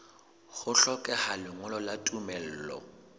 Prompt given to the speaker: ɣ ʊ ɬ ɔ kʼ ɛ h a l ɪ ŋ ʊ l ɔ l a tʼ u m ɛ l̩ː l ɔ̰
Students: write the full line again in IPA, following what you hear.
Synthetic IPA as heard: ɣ ʊ ɬ ɔ kʼ ɛ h a l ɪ ŋ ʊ l ɔ l a tʼ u m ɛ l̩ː l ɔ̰

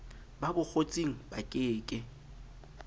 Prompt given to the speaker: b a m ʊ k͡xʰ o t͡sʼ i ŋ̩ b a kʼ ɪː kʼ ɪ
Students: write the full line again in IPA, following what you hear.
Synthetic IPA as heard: b a b ʊ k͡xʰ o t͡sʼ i ŋ̩ b a kʼ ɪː kʼ ɪ

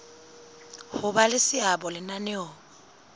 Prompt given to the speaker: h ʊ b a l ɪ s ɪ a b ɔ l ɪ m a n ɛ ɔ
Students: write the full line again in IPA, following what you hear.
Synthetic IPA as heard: h ʊ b a l ɪ s ɪ a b ɔ l ɪ n a n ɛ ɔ

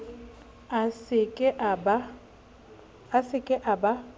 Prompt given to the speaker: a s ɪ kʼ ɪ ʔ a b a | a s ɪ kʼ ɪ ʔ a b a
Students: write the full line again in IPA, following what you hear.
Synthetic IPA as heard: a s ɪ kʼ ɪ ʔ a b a | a s ɪ kʼ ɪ ʔ a b a

